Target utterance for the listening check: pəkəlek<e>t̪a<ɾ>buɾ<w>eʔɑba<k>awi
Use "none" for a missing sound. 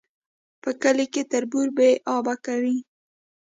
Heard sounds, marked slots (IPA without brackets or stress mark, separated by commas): e, ɾ, b, k